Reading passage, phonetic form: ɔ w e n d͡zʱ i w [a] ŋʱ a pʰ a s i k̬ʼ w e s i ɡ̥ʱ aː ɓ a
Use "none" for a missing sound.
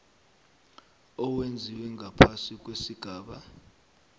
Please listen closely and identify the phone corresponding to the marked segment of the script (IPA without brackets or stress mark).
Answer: ɛ